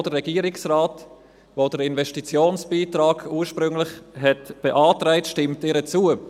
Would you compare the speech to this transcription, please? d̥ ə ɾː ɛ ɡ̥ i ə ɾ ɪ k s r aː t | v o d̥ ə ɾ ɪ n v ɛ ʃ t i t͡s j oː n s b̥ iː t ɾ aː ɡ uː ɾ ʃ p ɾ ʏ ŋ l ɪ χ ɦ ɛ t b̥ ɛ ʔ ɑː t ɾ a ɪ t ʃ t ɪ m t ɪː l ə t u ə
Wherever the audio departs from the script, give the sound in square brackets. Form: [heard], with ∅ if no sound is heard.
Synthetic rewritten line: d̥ ə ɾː ɛ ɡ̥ i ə ɾ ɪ k s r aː t | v o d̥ ə ɾ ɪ n v ɛ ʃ t i t͡s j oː n s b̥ iː t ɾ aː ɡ uː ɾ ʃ p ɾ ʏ ŋ l ɪ χ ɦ ɛ t b̥ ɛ ʔ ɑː t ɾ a ɪ t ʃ t ɪ m t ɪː [ɾ] ə [t͡s] u ə